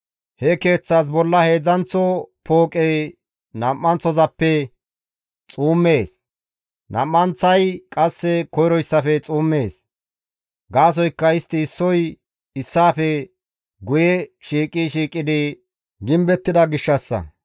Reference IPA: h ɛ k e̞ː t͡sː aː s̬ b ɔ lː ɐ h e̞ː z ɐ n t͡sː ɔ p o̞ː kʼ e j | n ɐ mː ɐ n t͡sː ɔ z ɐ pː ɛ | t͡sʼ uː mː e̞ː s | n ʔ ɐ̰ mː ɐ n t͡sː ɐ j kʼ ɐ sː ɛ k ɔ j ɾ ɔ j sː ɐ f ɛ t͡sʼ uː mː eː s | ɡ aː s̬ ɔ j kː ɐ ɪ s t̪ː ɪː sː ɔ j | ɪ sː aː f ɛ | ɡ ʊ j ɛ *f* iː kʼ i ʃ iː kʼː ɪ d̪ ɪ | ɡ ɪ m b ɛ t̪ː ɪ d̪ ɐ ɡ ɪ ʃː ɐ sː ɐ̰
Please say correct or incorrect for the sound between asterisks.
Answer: incorrect